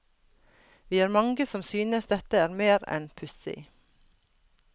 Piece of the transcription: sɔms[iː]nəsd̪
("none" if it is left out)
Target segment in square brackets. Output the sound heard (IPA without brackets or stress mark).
yː